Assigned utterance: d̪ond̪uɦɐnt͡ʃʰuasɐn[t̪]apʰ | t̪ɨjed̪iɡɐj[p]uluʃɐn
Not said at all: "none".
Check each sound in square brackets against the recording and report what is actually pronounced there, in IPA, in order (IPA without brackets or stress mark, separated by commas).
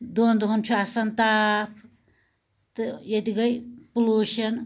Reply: t̪, p